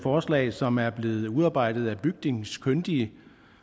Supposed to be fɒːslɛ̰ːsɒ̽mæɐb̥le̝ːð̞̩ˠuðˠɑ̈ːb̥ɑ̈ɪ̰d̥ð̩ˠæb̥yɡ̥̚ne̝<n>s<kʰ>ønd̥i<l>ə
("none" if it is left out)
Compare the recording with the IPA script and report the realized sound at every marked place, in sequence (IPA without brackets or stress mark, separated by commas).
ŋ, kʰ, none